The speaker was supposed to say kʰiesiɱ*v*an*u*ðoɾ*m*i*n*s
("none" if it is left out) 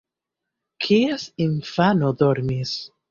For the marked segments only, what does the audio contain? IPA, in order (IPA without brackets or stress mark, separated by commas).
f, o, m, none